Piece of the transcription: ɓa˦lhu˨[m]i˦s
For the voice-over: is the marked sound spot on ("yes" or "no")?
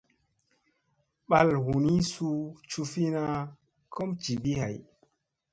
no